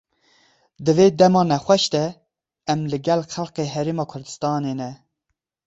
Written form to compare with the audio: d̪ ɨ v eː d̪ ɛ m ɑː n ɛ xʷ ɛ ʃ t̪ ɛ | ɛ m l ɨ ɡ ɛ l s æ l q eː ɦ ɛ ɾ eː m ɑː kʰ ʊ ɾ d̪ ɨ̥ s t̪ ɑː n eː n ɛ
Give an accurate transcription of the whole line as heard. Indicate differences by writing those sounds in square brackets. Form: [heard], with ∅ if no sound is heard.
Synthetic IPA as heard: d̪ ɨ v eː d̪ ɛ m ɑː n ɛ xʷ ɛ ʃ t̪ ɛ | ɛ m l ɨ ɡ ɛ l [x] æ l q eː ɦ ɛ ɾ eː m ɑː kʰ ʊ ɾ d̪ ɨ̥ s t̪ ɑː n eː n ɛ